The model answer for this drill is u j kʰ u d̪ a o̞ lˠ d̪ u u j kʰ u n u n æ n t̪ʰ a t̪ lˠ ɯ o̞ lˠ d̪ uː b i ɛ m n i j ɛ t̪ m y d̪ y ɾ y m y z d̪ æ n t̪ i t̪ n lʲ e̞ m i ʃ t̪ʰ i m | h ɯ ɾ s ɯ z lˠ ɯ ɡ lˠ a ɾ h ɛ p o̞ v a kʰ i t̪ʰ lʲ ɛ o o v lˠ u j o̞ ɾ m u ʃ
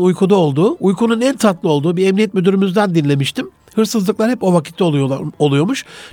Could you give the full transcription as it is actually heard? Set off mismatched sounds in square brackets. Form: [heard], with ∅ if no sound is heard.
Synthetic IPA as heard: u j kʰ u d̪ a o̞ lˠ d̪ [uː] u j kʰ u n u n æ n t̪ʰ a t̪ lˠ ɯ o̞ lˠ d̪ uː b i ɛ m n i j ɛ t̪ m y d̪ y ɾ y m y z d̪ æ n [d̪] i [∅] n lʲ e̞ m i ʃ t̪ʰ i m | h ɯ ɾ s ɯ z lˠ ɯ [k] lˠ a ɾ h ɛ p o̞ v a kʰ i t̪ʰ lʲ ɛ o o [∅] lˠ u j o̞ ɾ m u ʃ